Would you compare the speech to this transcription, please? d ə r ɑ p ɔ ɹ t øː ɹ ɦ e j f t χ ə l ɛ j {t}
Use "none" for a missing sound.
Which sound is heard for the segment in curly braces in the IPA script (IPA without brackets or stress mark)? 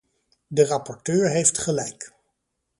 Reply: k